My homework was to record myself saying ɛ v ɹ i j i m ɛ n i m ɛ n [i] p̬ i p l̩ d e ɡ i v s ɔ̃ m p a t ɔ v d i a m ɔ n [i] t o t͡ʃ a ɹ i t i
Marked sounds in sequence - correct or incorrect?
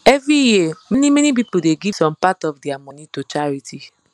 correct, correct

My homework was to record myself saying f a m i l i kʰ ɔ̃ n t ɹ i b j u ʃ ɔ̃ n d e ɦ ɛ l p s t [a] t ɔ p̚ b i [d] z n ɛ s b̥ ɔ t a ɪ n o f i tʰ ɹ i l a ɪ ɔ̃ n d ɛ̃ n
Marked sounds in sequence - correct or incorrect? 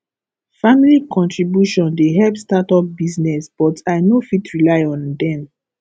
correct, incorrect: none

